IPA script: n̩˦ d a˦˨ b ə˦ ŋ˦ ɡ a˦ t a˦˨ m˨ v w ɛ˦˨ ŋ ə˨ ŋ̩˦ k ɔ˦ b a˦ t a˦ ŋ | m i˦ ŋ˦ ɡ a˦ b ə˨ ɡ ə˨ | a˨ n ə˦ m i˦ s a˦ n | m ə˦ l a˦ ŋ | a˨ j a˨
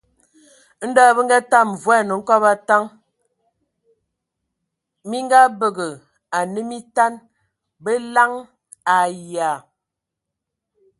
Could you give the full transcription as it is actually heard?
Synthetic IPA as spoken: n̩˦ d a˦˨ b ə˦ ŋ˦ ɡ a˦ t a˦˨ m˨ v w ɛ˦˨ n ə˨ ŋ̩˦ k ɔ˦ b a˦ t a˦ ŋ | m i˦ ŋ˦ ɡ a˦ b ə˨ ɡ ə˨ | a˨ n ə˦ m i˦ t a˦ n | b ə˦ l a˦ ŋ | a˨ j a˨

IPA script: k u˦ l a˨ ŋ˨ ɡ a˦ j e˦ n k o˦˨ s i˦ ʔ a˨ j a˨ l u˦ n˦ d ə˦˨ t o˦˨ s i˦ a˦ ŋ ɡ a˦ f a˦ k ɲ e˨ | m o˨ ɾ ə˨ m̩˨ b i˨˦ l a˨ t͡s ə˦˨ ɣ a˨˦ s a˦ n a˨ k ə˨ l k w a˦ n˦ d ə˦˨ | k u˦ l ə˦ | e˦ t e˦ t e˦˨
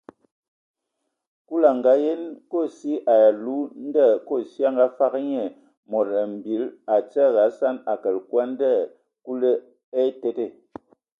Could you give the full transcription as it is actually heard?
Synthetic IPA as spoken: k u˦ l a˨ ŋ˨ ɡ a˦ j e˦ n k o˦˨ s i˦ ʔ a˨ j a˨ l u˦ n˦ d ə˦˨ k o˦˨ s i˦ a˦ ŋ ɡ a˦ f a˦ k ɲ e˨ | m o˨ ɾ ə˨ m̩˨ b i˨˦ l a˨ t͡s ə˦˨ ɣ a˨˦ s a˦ n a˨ k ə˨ l k w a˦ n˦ d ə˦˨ | k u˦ l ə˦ | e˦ t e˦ t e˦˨

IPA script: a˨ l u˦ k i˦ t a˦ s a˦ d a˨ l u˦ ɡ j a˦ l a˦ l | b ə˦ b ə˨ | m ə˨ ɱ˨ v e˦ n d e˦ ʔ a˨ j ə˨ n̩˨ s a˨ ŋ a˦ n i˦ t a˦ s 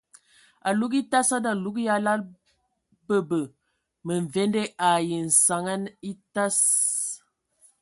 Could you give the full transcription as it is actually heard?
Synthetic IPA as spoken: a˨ l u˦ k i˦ t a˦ s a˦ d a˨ l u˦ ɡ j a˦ l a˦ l | b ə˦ b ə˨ | m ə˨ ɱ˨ v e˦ n d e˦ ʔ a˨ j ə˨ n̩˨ s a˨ ŋ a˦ n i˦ t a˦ s

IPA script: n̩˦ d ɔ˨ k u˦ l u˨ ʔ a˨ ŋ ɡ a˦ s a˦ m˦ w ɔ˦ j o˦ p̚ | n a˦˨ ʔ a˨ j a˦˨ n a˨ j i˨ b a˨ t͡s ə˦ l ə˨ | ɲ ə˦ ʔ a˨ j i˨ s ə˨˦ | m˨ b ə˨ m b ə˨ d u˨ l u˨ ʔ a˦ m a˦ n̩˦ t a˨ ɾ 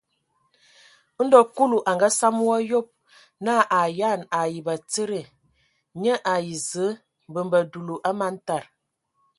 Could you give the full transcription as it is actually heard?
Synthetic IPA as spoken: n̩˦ d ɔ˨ k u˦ l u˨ ʔ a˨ ŋ ɡ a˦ s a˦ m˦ w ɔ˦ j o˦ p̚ | n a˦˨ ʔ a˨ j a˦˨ n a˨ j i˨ b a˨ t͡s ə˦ ɾ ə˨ | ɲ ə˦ ʔ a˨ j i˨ z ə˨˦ | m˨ b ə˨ m b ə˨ d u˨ l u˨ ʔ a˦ m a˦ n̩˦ t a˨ ɾ

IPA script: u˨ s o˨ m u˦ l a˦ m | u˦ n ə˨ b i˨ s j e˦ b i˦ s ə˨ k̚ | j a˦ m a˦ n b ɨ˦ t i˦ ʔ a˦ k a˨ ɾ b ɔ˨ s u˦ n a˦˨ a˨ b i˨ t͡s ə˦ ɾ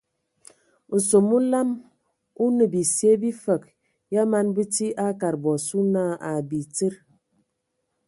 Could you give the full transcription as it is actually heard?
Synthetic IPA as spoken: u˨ s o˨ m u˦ l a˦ m | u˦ n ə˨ b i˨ s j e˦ b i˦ f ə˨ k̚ | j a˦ m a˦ n b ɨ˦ t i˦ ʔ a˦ k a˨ ɾ b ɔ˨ s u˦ n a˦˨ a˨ b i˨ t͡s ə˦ ɾ

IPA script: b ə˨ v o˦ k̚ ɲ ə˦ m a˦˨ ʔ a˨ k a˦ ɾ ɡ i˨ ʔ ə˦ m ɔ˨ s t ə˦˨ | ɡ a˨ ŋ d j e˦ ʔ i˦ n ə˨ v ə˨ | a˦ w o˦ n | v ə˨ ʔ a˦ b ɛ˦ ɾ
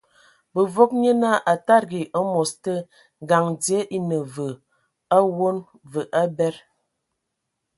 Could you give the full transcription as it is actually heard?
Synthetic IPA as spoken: b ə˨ v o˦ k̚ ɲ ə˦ n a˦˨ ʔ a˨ t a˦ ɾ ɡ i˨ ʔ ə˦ m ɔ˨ s t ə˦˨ | ɡ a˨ ŋ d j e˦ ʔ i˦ n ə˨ v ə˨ | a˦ w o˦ n | v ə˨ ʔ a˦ b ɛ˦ ɾ

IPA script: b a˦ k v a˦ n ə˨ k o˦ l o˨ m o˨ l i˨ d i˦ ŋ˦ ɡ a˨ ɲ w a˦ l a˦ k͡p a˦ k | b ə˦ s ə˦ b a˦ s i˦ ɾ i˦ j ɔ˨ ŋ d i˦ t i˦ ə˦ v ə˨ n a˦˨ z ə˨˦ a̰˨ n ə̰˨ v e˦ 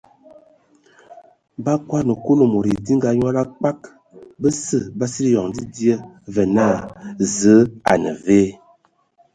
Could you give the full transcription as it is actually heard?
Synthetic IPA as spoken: b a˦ k w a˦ n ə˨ k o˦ l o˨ m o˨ ɾ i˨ d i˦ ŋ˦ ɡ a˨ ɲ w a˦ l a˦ k͡p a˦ k | b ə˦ s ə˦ b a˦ s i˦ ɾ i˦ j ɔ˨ ŋ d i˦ d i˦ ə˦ v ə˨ n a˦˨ z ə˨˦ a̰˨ n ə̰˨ v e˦

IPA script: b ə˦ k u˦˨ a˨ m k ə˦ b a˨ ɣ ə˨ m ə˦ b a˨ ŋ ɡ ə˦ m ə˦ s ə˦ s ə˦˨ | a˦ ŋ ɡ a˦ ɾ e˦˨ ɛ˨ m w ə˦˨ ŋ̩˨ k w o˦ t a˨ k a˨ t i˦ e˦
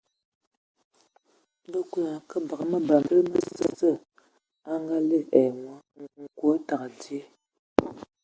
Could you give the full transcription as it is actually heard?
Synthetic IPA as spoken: b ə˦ k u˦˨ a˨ k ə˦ b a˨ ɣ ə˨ m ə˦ b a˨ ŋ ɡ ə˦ m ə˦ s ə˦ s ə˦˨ | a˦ ŋ ɡ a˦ l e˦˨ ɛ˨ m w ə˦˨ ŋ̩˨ k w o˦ t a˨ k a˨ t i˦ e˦

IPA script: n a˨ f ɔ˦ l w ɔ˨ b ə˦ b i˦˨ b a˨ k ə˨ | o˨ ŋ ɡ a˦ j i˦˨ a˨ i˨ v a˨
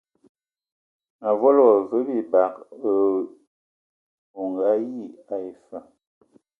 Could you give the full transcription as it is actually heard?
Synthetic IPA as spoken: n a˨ v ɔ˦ l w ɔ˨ v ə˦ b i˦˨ b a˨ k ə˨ | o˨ ŋ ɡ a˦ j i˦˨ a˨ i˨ f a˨

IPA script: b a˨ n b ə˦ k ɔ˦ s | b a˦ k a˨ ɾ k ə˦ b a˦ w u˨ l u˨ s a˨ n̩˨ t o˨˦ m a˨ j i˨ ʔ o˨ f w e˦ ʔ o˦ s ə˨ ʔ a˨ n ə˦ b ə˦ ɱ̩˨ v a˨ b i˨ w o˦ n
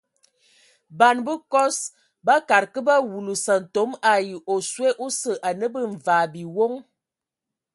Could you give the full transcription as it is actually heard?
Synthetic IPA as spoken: b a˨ n b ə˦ k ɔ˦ s | b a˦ k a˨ ɾ k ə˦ b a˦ w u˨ l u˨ s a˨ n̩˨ t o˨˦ m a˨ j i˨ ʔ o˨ s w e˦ ʔ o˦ s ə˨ ʔ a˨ n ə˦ b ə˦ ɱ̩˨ v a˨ b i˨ w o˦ ŋ

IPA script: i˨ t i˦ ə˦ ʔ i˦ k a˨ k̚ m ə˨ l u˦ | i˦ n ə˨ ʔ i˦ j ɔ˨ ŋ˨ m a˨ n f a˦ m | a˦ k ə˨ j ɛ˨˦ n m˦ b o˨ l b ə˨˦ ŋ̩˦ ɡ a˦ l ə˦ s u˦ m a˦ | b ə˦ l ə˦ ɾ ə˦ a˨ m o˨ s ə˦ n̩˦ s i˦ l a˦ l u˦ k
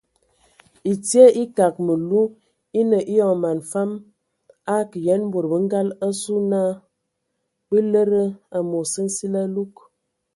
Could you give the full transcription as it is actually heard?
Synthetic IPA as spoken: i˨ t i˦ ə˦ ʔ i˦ k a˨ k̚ m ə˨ l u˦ | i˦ n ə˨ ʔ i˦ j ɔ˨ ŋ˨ m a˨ n f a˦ m | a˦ k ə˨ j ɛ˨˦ n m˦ b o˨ ɾ b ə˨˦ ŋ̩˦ ɡ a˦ l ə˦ s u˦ n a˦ | b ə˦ l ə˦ ɾ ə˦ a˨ m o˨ s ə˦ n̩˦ s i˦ l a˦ l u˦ k

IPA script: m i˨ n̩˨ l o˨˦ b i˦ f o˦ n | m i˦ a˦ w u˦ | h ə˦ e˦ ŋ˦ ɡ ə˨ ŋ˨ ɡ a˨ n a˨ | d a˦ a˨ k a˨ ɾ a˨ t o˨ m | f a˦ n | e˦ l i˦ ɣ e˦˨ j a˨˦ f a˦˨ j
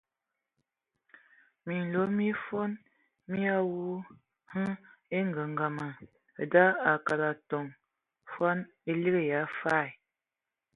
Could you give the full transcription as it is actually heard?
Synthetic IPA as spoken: m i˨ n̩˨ l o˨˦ m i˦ f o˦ n | m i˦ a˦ w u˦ | h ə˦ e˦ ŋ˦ ɡ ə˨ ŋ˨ ɡ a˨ m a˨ | d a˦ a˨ k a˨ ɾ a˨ t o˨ ŋ | f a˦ n | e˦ l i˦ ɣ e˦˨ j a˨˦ f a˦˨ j

